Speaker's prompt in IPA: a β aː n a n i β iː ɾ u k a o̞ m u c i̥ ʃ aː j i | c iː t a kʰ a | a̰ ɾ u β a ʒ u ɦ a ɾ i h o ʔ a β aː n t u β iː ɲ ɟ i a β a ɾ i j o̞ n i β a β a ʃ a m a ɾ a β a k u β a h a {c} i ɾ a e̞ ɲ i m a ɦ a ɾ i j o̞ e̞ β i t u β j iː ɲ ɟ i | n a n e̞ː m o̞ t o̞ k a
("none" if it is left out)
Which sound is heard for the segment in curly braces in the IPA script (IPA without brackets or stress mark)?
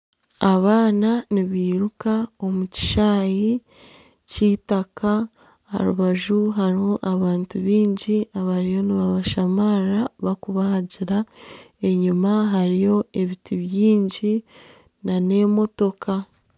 ɟ